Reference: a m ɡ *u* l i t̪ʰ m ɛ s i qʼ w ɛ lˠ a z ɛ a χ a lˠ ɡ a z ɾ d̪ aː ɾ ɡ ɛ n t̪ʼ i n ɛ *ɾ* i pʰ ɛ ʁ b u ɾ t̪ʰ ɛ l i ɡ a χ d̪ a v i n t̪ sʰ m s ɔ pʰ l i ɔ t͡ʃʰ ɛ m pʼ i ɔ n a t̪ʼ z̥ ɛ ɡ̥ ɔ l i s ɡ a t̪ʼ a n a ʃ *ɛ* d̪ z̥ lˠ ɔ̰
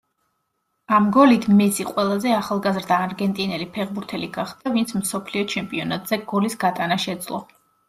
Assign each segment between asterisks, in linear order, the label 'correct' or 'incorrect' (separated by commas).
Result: incorrect, incorrect, correct